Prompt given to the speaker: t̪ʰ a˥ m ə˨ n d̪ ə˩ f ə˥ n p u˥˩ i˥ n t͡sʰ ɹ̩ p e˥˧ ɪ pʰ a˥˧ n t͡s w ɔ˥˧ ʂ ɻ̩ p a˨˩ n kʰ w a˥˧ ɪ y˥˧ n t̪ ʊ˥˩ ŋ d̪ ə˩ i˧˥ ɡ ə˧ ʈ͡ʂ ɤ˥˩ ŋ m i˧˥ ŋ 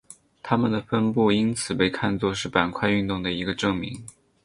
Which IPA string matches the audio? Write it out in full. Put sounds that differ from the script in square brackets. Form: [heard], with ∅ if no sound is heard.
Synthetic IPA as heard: t̪ʰ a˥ m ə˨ n d̪ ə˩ f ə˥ n p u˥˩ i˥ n t͡sʰ ɹ̩ p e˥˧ ɪ [kʰ] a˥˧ n t͡s w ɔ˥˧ ʂ ɻ̩ p a˨˩ n kʰ w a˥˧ ɪ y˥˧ n t̪ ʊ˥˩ ŋ d̪ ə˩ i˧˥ ɡ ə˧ ʈ͡ʂ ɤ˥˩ ŋ m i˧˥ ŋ